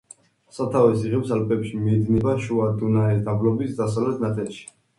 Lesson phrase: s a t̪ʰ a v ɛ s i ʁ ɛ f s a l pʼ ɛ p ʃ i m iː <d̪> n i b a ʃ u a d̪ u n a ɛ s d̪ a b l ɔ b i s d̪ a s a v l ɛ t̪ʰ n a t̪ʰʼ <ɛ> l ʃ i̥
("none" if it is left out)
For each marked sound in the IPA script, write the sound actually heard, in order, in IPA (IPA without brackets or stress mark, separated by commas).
d̪, ɛ